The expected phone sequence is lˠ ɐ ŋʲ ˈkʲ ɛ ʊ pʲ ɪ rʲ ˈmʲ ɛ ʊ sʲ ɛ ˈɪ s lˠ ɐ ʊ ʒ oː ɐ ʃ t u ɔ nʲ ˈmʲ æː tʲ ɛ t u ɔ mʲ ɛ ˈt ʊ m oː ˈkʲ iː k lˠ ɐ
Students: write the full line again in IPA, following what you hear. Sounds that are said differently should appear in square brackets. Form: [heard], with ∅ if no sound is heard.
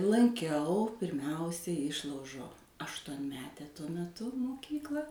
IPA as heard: lˠ ɐ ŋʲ ˈkʲ ɛ ʊ pʲ ɪ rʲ ˈmʲ ɛ ʊ sʲ ɛ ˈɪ [ʃ] lˠ ɐ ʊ ʒ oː ɐ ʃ t u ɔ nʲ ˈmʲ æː tʲ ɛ t u ɔ mʲ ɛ ˈt ʊ m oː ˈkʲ iː k lˠ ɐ